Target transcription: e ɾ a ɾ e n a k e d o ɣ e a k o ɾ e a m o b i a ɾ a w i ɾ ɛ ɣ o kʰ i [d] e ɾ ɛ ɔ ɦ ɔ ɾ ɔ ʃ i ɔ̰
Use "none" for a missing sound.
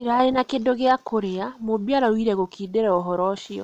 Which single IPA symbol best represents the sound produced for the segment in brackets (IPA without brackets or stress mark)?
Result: d